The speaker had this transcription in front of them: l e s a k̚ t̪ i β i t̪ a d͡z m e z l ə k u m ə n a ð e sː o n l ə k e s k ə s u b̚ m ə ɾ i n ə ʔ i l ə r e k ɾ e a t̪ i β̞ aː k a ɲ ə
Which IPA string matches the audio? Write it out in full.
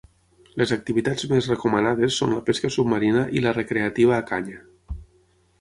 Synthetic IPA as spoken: l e z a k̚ t̪ i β i t̪ a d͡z m e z r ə k u m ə n a ð e sː o n l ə p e s k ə s u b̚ m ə ɾ i n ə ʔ i l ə r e k ɾ e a t̪ i β̞ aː k a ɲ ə